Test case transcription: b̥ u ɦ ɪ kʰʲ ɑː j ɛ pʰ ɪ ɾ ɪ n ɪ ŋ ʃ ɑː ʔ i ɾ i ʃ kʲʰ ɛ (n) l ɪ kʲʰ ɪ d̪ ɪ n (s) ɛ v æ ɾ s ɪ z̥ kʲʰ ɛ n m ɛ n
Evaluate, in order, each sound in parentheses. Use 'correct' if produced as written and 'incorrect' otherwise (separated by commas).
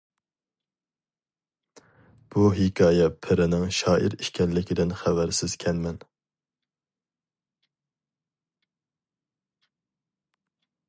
correct, incorrect